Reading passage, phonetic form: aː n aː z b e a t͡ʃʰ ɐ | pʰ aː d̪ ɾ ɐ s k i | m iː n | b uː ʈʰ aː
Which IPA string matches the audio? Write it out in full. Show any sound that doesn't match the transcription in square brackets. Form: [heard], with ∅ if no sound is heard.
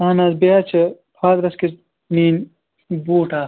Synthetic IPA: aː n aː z b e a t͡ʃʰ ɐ | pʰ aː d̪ ɾ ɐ s k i | [n] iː n | b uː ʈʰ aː